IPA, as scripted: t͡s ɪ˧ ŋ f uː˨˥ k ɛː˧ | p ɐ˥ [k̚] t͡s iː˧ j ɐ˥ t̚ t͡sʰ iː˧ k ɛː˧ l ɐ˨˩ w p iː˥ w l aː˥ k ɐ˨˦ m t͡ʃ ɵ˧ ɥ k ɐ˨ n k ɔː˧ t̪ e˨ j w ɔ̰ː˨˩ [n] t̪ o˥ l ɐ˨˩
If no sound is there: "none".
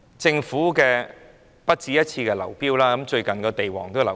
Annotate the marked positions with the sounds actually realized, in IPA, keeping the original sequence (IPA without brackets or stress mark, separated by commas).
t̚, ŋ